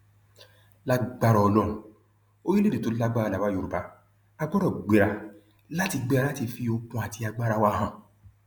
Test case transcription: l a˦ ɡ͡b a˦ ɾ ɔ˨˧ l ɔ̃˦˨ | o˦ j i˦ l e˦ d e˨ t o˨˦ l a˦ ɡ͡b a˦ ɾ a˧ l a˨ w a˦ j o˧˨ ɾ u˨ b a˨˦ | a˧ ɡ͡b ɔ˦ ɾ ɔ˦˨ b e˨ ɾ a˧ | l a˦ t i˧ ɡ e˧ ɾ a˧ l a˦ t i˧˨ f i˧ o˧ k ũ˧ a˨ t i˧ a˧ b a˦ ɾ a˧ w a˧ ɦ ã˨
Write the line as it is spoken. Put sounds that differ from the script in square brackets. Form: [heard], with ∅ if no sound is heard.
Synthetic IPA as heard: l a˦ ɡ͡b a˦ ɾ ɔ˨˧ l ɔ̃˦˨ | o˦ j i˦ l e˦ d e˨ t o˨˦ l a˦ ɡ͡b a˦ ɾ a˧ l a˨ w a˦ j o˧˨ ɾ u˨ b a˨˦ | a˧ ɡ͡b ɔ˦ ɾ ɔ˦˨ [ɡ͡b] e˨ ɾ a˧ | l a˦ t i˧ [ɡ͡b] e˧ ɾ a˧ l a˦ t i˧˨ f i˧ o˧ k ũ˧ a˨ t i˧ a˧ [ɡ͡b] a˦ ɾ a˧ w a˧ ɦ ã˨